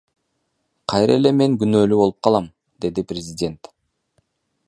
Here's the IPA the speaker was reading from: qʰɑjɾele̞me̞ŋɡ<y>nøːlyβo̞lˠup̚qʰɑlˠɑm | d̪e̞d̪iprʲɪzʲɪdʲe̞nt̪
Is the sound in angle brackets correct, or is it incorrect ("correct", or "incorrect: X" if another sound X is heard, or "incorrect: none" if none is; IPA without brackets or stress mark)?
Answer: correct